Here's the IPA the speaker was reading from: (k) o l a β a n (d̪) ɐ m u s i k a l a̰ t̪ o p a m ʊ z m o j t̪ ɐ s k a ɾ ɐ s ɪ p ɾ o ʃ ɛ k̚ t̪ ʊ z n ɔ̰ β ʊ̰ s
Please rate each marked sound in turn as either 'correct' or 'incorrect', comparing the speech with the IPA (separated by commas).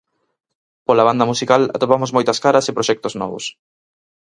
incorrect, correct